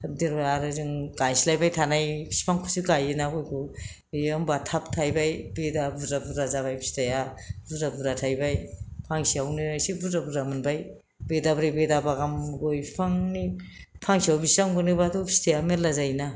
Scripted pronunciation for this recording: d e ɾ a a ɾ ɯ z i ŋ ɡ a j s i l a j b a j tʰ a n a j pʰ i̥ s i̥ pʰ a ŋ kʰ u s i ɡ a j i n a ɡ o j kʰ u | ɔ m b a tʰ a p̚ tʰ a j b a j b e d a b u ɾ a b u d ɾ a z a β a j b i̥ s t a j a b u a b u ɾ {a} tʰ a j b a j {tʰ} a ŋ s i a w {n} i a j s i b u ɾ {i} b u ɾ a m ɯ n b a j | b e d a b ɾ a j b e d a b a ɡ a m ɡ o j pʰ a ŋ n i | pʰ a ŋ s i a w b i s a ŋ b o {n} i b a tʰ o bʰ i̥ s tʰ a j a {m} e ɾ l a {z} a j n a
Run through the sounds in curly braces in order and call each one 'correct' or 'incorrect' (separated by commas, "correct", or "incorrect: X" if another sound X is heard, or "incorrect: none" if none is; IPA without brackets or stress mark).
correct, incorrect: pʰ, correct, incorrect: a, correct, correct, correct